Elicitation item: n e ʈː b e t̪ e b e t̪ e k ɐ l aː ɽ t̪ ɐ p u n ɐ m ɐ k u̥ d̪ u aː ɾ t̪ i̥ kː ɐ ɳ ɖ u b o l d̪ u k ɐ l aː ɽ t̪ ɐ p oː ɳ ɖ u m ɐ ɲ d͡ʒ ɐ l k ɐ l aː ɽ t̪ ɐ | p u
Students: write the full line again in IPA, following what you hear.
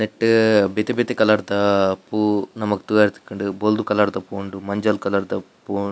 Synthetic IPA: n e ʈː b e t̪ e b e t̪ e k ɐ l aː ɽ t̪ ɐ p u n ɐ m ɐ k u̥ t̪ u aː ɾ t̪ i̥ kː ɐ ɳ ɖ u b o l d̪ u k ɐ l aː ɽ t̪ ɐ p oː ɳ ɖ u m ɐ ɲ d͡ʒ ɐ l k ɐ l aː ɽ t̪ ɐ | p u